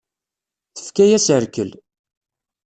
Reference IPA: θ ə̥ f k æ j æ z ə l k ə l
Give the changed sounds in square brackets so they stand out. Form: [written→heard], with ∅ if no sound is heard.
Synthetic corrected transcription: θ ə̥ f k æ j æ [z→s] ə [l→ɾ] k ə l